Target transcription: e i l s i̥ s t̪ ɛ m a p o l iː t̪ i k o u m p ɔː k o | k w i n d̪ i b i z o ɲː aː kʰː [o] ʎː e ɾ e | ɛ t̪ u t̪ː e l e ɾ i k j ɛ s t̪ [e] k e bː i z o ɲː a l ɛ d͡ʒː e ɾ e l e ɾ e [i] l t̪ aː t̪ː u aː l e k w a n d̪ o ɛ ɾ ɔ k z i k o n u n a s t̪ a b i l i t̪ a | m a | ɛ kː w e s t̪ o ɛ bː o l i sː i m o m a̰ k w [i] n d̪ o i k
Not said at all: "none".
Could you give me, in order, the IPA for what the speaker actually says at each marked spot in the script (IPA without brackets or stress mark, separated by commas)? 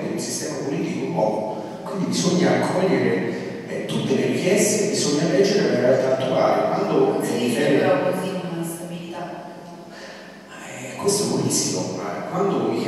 ɔ, e, a, a